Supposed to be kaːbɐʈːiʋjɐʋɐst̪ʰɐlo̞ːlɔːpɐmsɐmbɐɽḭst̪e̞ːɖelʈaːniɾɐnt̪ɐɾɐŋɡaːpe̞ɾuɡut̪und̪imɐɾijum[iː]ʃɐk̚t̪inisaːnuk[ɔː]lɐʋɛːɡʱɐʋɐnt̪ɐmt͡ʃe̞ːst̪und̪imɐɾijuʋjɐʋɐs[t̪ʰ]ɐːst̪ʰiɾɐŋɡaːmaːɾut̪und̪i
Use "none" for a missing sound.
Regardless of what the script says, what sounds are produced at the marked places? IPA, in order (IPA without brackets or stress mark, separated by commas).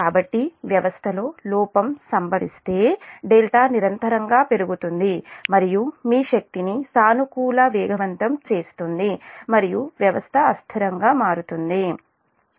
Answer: iː, uː, t̪ʰ